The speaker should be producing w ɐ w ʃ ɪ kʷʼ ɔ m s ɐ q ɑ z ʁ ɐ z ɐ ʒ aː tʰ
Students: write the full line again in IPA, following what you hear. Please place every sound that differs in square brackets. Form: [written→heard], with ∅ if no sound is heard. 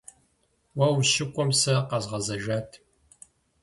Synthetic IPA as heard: w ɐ w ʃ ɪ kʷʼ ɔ m s ɐ q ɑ z ʁ ɐ z ɐ ʒ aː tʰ